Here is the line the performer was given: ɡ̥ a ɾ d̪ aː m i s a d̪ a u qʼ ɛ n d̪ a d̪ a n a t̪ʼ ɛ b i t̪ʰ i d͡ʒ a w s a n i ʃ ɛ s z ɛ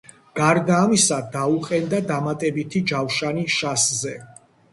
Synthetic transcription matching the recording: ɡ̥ a ɾ d̪ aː m i s a d̪ a u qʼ ɛ n d̪ a d̪ a m a t̪ʼ ɛ b i t̪ʰ i d͡ʒ a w ʃ a n i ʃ a s z ɛ